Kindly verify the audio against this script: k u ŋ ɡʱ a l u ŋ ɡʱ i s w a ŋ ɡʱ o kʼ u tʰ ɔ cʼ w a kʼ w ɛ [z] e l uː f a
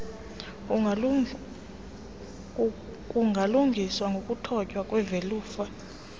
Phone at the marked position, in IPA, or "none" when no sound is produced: v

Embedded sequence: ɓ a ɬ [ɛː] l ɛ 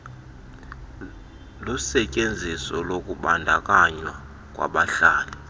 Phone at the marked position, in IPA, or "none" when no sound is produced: aː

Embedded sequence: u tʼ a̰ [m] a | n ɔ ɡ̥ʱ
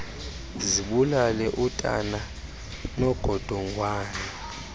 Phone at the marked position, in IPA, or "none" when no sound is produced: n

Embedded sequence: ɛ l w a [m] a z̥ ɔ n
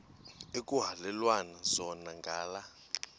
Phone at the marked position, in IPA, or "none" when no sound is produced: n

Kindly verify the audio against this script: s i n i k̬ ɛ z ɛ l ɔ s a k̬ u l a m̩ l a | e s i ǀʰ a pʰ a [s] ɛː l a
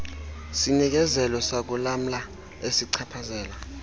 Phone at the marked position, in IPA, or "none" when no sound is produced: z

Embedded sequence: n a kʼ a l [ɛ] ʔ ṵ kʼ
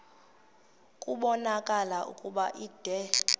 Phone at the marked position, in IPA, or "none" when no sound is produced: a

